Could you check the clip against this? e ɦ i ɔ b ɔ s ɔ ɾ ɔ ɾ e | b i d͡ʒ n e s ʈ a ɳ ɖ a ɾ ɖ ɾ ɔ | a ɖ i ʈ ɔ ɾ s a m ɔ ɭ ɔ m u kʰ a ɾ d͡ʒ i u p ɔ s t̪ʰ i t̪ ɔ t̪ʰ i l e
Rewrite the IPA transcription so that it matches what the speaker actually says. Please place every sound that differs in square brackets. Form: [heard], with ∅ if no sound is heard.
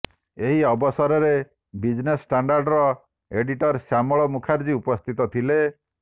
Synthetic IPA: e ɦ i ɔ b ɔ s ɔ ɾ ɔ ɾ e | b i d͡ʒ n e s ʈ a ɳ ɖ a ɾ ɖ ɾ ɔ | [e] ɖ i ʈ ɔ ɾ s a m ɔ ɭ ɔ m u kʰ a ɾ d͡ʒ i u p ɔ s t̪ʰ i t̪ ɔ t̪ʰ i l e